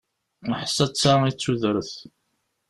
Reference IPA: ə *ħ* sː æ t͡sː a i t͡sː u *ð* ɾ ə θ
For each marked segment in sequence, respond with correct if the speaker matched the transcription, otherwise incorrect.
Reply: correct, correct

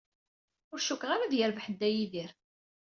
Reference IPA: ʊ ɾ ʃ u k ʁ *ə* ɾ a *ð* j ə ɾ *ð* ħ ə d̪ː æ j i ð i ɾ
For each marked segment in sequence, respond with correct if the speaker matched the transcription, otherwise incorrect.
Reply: incorrect, correct, incorrect

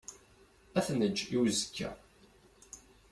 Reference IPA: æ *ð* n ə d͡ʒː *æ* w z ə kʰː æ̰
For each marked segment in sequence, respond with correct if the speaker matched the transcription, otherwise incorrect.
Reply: incorrect, incorrect

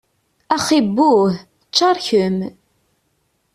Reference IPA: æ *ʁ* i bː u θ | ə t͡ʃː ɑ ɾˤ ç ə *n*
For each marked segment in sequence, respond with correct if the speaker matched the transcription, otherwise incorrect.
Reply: incorrect, incorrect

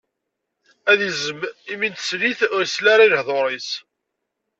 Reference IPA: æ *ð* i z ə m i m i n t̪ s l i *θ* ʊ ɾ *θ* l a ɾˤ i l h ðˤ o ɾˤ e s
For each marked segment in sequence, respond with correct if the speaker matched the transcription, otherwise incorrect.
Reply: correct, correct, incorrect

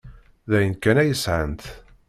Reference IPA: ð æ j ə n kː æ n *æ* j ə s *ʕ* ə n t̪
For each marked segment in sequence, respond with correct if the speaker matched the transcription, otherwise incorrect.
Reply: correct, correct

